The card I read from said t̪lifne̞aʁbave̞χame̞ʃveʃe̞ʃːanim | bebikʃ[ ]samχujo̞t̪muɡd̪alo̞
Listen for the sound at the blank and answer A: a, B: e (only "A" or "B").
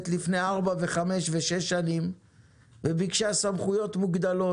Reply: A